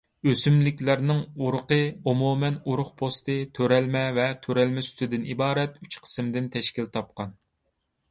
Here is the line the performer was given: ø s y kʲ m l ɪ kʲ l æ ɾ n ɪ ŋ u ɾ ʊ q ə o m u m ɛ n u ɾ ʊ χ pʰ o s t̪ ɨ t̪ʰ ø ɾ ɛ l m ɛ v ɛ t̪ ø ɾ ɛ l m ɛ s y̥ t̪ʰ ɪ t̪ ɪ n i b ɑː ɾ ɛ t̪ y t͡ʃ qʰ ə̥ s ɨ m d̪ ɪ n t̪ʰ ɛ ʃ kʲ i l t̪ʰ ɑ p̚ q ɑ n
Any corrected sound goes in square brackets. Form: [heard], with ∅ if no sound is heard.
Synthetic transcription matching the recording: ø s y [∅] m l ɪ kʲ l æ ɾ n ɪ ŋ u ɾ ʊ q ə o m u m ɛ n u ɾ ʊ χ pʰ o s t̪ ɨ t̪ʰ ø ɾ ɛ l m ɛ v ɛ [t̪ʰ] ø ɾ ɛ l m ɛ s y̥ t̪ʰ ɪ [d̪] ɪ n i b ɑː ɾ ɛ t̪ y t͡ʃ qʰ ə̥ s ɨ m d̪ ɪ n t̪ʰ ɛ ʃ kʲ i l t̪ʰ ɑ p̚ q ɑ n